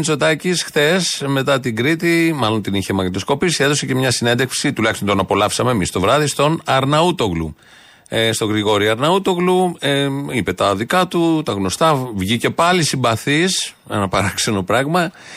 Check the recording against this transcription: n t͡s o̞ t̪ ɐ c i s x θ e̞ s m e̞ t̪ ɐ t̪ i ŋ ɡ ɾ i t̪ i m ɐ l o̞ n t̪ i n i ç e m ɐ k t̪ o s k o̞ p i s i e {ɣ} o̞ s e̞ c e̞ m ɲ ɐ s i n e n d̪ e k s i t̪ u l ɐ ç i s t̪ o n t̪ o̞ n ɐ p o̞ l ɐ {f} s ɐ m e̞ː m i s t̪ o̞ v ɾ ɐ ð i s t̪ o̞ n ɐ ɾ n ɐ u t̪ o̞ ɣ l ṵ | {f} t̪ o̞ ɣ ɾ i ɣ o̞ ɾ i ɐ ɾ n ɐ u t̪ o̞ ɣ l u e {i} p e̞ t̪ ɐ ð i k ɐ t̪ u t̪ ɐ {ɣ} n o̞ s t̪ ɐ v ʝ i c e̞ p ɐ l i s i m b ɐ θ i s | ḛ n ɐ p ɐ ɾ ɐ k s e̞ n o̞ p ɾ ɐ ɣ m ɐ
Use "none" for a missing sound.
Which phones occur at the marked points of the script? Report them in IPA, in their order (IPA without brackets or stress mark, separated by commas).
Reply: ð, f, s, i, ɣ